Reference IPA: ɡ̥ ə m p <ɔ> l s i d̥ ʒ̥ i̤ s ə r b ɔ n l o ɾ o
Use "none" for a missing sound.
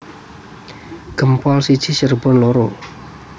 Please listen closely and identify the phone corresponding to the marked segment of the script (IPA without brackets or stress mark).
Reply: ɔ